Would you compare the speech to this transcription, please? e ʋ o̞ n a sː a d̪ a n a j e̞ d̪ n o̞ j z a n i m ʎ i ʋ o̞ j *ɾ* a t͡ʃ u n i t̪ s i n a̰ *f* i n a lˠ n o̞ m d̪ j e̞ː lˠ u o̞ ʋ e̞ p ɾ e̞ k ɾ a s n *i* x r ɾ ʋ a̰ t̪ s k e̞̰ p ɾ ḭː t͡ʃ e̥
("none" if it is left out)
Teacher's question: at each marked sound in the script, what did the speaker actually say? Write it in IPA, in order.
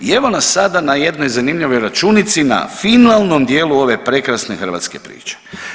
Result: ɾ, f, e

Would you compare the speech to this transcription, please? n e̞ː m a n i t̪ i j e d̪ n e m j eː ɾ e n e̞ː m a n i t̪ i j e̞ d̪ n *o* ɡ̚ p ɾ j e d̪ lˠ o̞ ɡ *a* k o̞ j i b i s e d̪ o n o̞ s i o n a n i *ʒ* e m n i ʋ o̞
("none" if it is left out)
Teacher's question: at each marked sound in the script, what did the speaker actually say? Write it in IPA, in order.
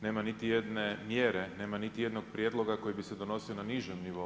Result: o, a, ʒ

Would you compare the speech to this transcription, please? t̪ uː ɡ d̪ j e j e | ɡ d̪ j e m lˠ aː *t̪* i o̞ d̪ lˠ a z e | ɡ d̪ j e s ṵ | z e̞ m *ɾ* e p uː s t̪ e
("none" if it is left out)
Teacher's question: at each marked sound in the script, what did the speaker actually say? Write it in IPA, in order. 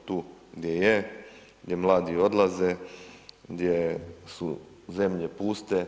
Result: d̪, ʎ

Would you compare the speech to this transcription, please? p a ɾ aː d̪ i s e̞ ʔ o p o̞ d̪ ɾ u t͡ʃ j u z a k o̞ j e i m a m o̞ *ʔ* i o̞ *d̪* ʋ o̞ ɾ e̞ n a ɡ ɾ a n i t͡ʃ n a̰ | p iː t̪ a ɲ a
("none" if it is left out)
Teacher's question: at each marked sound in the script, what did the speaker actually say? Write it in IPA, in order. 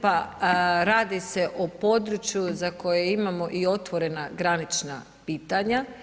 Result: ʔ, t̪

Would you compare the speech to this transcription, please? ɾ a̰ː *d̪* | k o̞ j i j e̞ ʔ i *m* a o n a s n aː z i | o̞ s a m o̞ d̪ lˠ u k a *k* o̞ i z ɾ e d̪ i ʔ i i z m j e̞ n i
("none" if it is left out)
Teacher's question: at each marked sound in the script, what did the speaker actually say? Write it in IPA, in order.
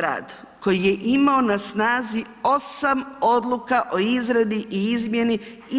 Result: d̪, m, ʔ

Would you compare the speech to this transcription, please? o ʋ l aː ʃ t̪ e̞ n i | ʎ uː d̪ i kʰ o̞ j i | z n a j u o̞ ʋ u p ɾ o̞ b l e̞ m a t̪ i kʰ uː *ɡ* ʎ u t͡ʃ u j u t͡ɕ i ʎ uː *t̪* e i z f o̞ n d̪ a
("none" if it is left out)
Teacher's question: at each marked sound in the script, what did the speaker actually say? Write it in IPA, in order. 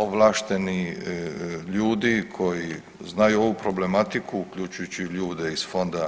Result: k, d̪

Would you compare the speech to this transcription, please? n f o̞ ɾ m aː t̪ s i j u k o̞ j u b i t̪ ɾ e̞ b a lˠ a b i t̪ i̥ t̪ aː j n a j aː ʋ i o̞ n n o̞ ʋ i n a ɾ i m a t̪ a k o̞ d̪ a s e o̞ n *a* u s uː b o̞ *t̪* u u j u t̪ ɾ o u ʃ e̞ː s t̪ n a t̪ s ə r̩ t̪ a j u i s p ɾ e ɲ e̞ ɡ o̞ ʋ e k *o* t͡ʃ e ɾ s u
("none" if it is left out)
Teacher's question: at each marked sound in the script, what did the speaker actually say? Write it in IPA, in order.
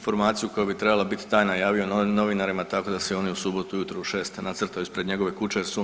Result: i, t̪, u

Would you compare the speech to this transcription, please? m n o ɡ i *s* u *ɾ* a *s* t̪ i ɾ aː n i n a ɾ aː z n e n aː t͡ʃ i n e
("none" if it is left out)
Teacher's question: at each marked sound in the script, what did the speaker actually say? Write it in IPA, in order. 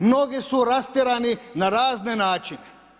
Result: s, ɾ, s

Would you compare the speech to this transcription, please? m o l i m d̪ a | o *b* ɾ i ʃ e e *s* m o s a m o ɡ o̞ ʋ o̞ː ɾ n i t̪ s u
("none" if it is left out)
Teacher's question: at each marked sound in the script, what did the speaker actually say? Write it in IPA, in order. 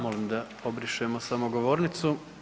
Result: b, none

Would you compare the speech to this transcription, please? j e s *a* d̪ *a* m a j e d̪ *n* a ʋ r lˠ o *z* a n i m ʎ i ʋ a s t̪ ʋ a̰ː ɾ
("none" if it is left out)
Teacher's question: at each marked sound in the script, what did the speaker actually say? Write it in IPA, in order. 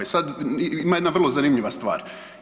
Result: a, i, n, z

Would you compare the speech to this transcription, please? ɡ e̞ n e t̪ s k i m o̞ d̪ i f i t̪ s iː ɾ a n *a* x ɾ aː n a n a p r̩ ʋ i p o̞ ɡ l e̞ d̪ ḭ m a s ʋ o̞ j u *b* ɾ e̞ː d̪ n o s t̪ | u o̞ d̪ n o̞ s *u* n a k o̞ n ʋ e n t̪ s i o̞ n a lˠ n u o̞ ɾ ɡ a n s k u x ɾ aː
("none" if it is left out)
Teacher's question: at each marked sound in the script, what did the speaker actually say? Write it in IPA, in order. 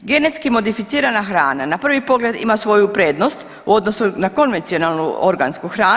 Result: a, p, u

